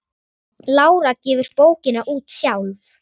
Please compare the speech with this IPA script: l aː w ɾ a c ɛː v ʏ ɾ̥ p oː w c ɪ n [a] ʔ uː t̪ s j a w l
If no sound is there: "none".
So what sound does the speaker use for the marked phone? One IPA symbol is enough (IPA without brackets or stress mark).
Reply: a